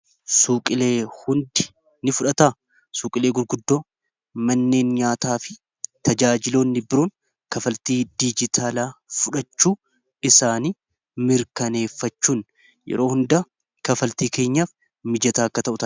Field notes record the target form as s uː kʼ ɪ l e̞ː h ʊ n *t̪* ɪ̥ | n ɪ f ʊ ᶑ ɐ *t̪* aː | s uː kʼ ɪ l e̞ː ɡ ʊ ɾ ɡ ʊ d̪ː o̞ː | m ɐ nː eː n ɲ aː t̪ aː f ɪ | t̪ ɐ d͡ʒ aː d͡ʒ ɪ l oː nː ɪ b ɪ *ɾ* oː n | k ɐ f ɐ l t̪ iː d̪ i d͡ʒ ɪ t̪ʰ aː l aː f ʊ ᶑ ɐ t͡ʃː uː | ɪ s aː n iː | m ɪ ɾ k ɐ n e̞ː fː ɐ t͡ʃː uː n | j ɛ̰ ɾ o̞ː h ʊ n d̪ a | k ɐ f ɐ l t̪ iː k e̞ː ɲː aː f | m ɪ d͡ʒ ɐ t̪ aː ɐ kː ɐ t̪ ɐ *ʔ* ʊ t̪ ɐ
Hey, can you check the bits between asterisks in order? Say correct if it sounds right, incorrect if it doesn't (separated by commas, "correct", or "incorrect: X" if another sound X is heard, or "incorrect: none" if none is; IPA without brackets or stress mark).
incorrect: d̪, correct, correct, correct